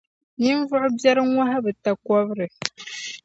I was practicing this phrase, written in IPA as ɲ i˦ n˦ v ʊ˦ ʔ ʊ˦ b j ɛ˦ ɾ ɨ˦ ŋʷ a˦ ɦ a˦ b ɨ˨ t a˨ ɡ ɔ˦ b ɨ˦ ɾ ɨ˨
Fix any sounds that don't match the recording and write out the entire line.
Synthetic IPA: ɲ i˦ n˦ v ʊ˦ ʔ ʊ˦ b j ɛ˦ ɾ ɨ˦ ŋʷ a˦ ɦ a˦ b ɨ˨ t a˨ k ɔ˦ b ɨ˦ ɾ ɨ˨